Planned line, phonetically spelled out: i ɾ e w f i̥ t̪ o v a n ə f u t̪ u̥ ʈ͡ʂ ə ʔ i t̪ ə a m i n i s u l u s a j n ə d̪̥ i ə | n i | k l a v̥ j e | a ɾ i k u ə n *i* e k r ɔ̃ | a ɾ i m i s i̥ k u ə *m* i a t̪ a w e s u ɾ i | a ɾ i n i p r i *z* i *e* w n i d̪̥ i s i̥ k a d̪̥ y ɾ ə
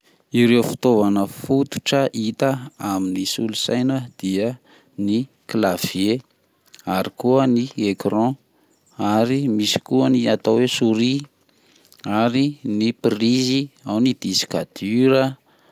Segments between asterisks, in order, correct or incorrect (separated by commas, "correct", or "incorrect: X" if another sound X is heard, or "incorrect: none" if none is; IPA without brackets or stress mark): correct, incorrect: n, correct, incorrect: a